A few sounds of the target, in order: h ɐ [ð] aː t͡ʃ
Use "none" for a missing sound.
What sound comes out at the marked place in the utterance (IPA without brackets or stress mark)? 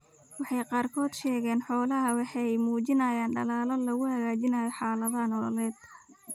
ɣ